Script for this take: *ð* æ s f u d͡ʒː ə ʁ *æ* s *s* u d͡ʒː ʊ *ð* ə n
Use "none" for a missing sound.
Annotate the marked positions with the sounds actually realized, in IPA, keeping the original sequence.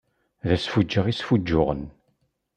ð, i, f, ʁ

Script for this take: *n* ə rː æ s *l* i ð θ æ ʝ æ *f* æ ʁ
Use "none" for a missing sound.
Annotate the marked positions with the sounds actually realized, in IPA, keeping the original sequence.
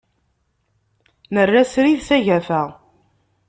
n, ɾ, f

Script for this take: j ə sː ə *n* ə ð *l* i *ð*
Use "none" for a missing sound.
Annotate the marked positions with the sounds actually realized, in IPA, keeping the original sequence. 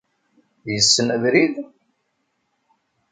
n, ɾ, ð

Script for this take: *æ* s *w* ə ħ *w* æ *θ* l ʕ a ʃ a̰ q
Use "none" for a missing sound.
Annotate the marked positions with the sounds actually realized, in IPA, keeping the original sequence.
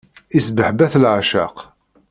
i, b, b, θ

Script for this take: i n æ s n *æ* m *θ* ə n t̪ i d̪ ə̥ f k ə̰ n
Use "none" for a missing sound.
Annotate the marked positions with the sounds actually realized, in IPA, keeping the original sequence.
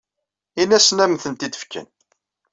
æ, θ

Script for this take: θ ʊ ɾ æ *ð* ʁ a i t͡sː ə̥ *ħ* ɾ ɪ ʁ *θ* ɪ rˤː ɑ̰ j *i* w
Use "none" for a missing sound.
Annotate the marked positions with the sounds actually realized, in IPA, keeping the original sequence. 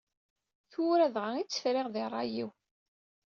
ð, f, ð, i

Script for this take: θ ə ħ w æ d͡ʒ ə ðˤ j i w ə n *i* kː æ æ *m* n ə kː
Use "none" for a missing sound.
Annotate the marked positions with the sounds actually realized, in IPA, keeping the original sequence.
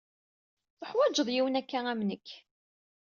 æ, m

